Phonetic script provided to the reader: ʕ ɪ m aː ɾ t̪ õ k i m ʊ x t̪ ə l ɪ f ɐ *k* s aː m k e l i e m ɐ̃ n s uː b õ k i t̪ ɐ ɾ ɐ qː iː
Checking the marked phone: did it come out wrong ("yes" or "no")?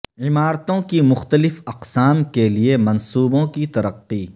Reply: yes